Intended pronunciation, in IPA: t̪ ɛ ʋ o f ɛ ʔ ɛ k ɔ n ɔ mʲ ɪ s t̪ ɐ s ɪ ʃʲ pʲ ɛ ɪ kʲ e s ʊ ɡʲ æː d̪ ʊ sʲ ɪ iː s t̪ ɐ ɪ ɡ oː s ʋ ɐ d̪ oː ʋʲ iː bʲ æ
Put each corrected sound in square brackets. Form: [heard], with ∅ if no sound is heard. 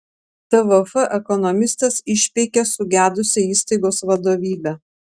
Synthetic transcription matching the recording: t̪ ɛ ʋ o f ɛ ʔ ɛ k ɔ n ɔ mʲ ɪ s t̪ ɐ s ɪ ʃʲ pʲ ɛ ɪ kʲ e s ʊ ɡʲ æː d̪ ʊ sʲ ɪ iː s t̪ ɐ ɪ ɡ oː s ʋ ɐ d̪ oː ʋʲ iː bʲ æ